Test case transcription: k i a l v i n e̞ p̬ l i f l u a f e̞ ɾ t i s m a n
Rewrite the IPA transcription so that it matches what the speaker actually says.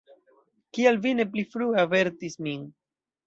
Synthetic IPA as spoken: k i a l v i n e̞ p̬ l i f ɾ u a v e̞ ɾ t i s m i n

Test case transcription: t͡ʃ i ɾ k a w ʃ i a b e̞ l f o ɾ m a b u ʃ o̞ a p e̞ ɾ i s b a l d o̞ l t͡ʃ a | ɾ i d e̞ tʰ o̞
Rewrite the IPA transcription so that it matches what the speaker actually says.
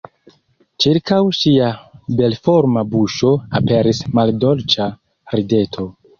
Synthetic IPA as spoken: t͡ʃ i ɾ k a w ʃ i a b e̞ l f o ɾ m a b u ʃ o̞ a p e̞ ɾ i s m a l d o̞ l t͡ʃ a | ɾ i d e̞ tʰ o̞

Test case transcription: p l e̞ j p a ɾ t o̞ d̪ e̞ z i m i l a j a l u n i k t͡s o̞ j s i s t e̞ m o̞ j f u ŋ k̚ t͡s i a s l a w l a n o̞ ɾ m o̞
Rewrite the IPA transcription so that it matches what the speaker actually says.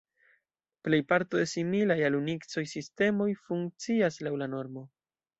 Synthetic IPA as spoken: p l e̞ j p a ɾ t o̞ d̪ e̞ s i m i l a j a l u n i k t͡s o̞ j s i s t e̞ m o̞ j f u ŋ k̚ t͡s i a s l a w l a n o̞ ɾ m o̞

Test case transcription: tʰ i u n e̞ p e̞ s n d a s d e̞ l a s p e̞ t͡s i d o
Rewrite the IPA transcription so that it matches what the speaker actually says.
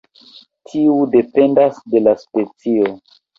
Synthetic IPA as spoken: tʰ i u d e̞ p e̞ n d a s d e̞ l a s p e̞ t͡s i o

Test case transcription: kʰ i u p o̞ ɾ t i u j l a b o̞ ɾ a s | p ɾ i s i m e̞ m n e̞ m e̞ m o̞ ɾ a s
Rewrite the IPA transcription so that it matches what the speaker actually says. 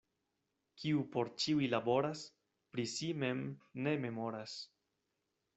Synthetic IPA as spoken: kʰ i u p o̞ ɾ t͡ʃ i u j l a b o̞ ɾ a s | p ɾ i s i m e̞ m n e̞ m e̞ m o̞ ɾ a s

